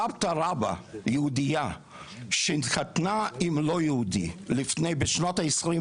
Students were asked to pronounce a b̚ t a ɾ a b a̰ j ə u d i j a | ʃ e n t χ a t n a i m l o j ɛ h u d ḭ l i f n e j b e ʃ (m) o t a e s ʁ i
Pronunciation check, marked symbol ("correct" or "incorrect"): incorrect